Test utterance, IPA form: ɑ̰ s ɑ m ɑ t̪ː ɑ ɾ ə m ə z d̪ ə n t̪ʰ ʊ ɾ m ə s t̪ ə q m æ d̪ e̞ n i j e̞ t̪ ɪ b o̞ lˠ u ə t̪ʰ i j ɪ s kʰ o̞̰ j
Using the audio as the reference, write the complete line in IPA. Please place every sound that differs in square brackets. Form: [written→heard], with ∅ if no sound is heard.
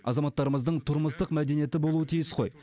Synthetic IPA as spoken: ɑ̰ [s→z] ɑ m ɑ t̪ː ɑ ɾ ə m ə z d̪ ə [n→ɴ] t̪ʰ ʊ ɾ m ə s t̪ ə q m æ d̪ e̞ n i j e̞ t̪ ɪ b o̞ lˠ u ə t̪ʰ i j ɪ s [kʰ→qʰ] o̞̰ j

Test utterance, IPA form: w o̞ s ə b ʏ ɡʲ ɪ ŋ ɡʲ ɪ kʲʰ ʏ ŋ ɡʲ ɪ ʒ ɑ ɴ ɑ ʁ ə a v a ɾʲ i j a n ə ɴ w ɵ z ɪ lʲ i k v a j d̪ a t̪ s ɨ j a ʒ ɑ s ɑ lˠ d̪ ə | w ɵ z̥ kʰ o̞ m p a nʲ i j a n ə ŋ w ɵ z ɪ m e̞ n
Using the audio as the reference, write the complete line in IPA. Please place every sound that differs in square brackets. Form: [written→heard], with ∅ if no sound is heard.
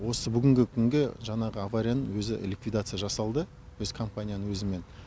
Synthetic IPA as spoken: w o̞ s ə b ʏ ɡʲ ɪ ŋ ɡʲ ɪ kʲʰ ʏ ŋ ɡʲ ɪ ʒ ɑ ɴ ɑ ʁ ə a v a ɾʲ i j a n ə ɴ w ɵ z ɪ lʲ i k v [a→i] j d̪ a t̪ s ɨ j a ʒ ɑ s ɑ lˠ d̪ ə | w ɵ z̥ kʰ o̞ m p a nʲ i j a n ə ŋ w ɵ z ɪ m e̞ n

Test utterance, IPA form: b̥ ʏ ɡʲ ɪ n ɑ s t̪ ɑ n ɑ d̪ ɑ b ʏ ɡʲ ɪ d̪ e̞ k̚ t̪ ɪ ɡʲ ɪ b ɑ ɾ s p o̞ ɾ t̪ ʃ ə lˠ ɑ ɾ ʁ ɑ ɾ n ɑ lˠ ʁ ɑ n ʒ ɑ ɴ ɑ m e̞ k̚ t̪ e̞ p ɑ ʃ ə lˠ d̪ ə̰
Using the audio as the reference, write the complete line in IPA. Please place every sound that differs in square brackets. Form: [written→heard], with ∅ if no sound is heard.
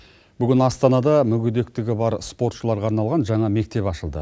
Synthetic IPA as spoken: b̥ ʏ ɡʲ ɪ n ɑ s t̪ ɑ n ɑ d̪ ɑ [b→m] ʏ ɡʲ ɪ d̪ e̞ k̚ t̪ ɪ ɡʲ ɪ b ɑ ɾ s p o̞ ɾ t̪ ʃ ə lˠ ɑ ɾ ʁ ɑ ɾ n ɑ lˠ ʁ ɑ n ʒ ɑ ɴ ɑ m e̞ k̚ t̪ e̞ p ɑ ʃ ə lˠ d̪ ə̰

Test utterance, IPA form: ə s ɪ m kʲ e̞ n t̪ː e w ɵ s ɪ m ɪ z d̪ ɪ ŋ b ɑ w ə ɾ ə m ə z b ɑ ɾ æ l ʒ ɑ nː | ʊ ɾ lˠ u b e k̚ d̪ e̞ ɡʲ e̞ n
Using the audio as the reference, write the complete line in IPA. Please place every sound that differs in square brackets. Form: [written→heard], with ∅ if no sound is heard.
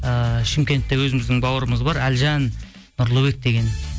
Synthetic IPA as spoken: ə [s→ʃ] ɪ m kʲ e̞ n t̪ː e w ɵ [s→z] ɪ m ɪ z d̪ ɪ ŋ b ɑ w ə ɾ ə m ə z b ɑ ɾ æ l ʒ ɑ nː | ʊ ɾ lˠ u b e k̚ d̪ e̞ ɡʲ e̞ n

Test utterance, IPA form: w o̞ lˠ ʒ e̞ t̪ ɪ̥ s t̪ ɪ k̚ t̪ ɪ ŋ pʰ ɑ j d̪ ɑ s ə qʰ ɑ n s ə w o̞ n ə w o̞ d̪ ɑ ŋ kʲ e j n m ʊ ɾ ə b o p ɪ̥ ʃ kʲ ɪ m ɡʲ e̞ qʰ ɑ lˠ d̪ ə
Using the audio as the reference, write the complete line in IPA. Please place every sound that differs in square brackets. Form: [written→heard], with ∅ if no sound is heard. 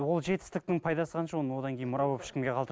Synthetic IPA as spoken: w o̞ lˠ ʒ e̞ t̪ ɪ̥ s t̪ ɪ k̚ t̪ ɪ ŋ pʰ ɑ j d̪ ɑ s ə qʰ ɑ n [s→ʃ] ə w o̞ n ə w o̞ d̪ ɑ ŋ kʲ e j n m ʊ ɾ [ə→ɑ] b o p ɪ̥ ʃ kʲ ɪ m ɡʲ e̞ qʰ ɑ lˠ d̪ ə

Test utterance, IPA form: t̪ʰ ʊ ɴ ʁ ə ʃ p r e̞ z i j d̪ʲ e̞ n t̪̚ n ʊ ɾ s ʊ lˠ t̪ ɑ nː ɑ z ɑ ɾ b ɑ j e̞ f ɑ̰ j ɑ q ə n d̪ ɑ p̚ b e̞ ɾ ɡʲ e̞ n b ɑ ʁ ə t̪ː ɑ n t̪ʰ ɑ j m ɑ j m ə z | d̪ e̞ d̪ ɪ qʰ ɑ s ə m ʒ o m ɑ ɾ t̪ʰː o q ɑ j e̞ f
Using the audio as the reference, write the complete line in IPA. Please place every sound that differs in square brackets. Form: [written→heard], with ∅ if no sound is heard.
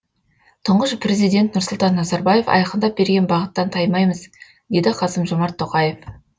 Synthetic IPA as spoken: t̪ʰ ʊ ɴ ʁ ə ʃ p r e̞ z i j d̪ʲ e̞ n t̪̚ n ʊ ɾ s ʊ lˠ t̪ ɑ nː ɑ z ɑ ɾ b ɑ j e̞ f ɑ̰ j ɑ q ə n d̪ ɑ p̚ b e̞ ɾ ɡʲ e̞ n b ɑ ʁ ə t̪ː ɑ n t̪ʰ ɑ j m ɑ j m ə z | d̪ e̞ d̪ ɪ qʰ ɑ s ə m ʒ o m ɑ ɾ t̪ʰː o q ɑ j e̞ f

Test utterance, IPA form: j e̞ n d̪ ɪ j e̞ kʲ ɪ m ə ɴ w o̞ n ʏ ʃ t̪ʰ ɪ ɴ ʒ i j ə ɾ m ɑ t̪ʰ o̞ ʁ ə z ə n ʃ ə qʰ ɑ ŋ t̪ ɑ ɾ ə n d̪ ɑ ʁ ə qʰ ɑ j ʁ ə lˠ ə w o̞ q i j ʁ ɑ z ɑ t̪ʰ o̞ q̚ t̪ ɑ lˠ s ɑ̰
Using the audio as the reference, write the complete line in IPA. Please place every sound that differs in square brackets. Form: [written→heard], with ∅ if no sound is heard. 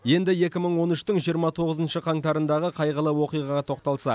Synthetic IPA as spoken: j e̞ n d̪ ɪ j e̞ kʲ ɪ m ə ɴ w o̞ n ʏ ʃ [t̪ʰ→t̪] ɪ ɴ ʒ i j ə ɾ m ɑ t̪ʰ o̞ ʁ ə z ə n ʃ ə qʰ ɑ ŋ t̪ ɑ ɾ ə n d̪ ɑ ʁ ə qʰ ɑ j ʁ ə lˠ ə w o̞ q i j ʁ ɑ [z→ʁ] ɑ t̪ʰ o̞ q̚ t̪ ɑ lˠ s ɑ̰

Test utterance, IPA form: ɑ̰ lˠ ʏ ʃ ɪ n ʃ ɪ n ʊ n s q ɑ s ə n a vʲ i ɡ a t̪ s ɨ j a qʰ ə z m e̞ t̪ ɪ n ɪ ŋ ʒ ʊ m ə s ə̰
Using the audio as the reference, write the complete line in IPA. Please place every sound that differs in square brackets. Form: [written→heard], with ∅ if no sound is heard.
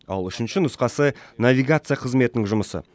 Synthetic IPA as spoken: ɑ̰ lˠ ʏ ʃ ɪ n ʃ ɪ n ʊ [n→∅] s q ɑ s ə n a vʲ i ɡ a t̪ s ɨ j a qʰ ə z m e̞ t̪ ɪ n ɪ ŋ ʒ ʊ m ə s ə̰

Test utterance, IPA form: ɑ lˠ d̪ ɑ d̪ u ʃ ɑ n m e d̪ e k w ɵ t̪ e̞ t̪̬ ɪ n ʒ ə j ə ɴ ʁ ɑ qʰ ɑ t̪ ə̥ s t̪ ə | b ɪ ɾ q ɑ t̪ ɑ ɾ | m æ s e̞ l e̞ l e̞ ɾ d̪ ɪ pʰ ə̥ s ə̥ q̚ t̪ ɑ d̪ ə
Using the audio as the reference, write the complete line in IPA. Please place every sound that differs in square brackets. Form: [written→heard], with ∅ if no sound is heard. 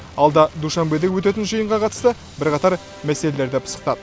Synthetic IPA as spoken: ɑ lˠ d̪ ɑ d̪ u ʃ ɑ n [m→b] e d̪ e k w ɵ t̪ e̞ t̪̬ ɪ n ʒ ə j ə ɴ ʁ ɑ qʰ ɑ t̪ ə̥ s t̪ ə | b ɪ ɾ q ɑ t̪ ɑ ɾ | m æ s e̞ l e̞ l e̞ ɾ d̪ ɪ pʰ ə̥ s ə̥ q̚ t̪ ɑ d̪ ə

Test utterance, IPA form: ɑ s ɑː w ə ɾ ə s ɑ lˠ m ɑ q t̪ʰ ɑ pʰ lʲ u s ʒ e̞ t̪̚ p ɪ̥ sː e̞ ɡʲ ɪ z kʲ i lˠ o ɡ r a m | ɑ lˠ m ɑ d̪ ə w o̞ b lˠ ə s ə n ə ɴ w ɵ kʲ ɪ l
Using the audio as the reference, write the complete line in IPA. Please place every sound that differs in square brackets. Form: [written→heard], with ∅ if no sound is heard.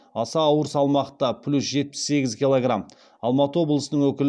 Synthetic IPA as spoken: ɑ s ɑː w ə ɾ ə s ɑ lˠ m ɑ q [t̪ʰ→t̪] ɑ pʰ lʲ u s ʒ e̞ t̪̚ p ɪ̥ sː e̞ ɡʲ ɪ z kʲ i lˠ o ɡ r a m | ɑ lˠ m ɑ [d̪→t̪] ə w o̞ b lˠ ə s ə n ə ɴ w ɵ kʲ ɪ l

